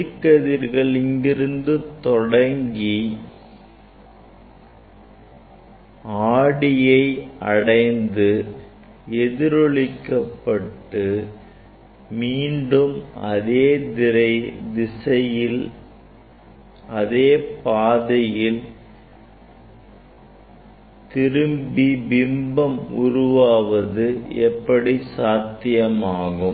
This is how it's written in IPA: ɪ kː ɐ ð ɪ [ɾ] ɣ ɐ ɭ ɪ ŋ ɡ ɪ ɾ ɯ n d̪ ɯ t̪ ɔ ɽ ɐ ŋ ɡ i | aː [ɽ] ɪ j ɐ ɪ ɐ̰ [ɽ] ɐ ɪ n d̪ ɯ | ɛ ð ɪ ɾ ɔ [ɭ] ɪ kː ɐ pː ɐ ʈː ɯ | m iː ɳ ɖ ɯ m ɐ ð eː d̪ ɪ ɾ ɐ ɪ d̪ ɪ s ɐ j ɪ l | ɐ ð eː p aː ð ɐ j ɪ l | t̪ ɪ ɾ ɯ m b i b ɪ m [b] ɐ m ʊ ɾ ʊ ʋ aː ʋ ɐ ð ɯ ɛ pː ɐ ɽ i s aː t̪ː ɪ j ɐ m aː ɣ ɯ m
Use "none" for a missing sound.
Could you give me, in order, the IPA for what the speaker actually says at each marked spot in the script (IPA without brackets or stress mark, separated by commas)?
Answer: ɾ, ɽ, ɽ, ɭ, b